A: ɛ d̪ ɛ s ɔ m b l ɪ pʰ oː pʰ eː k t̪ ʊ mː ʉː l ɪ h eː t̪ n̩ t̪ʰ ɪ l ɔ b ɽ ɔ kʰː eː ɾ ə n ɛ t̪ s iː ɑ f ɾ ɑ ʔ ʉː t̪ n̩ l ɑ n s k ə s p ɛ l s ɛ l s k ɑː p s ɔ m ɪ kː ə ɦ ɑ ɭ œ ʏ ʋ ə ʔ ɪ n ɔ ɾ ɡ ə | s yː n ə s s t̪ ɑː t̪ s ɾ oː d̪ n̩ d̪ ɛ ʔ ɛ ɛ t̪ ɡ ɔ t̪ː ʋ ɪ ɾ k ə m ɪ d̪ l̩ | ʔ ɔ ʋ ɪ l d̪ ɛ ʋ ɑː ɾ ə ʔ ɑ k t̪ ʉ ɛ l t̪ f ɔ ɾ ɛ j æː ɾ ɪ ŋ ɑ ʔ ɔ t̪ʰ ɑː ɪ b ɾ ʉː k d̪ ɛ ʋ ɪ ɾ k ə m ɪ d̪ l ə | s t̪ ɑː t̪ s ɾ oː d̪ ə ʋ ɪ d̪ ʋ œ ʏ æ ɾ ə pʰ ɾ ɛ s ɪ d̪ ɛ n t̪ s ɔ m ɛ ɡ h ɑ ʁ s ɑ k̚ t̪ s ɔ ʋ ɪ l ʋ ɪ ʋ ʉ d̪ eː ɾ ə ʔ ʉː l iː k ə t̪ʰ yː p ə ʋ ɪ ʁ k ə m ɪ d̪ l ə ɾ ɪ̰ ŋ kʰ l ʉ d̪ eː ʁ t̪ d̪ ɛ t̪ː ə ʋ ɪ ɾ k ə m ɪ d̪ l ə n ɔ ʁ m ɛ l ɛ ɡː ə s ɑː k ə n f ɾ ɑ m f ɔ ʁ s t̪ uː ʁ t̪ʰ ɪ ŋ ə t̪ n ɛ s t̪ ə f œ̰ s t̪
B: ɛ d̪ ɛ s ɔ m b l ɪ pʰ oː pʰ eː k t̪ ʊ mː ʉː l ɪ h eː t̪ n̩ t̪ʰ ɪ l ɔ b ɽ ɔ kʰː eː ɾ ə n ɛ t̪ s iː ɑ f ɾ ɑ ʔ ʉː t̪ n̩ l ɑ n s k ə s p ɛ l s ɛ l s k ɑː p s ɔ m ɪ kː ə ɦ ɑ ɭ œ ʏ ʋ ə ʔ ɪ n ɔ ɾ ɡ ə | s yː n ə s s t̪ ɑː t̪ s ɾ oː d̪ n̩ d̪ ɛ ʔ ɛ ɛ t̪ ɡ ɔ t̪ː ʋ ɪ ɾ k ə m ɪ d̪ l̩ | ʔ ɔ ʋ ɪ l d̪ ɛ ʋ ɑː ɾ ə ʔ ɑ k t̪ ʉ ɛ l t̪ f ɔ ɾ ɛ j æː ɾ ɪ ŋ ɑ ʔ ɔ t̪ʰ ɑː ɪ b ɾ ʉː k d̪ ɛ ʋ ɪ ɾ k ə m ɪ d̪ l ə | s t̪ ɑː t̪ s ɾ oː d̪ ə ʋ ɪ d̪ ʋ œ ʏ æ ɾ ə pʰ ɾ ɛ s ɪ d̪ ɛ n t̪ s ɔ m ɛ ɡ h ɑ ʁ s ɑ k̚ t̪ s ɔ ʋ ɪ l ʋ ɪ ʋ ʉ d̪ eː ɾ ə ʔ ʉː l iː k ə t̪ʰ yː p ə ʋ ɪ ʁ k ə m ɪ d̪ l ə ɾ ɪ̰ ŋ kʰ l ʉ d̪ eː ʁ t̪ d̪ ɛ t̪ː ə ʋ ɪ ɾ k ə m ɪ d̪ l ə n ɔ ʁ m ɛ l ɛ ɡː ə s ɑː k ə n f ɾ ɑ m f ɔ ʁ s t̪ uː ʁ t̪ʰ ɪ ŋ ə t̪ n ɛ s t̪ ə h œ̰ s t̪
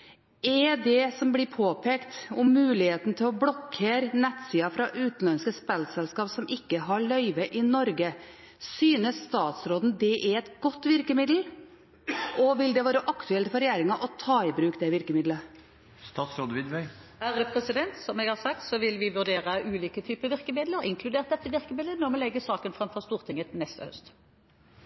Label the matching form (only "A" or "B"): B